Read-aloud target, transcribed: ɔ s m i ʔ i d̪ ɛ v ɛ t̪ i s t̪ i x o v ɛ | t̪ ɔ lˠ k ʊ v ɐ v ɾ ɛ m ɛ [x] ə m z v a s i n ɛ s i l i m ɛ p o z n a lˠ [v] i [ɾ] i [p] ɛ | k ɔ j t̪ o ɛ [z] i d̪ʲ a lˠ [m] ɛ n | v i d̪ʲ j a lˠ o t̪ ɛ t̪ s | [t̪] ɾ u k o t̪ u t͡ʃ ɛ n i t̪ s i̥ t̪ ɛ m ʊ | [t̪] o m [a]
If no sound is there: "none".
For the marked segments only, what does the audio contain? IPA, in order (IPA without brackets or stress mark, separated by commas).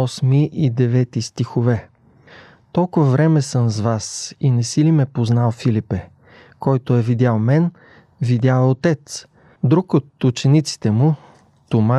s, f, l, p, v, m, d̪, t̪, a